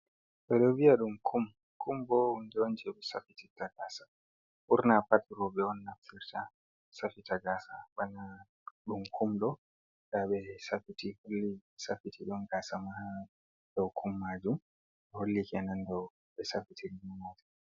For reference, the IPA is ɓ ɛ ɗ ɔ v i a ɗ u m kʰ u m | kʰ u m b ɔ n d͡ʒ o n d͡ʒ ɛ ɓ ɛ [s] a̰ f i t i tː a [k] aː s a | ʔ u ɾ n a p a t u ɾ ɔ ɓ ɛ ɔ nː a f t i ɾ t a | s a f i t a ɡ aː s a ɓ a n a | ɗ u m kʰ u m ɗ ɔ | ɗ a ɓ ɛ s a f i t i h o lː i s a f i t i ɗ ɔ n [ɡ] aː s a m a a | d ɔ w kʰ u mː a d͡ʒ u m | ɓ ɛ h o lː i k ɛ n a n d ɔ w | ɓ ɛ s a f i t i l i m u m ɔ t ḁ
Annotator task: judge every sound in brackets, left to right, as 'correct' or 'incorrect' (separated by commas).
correct, incorrect, correct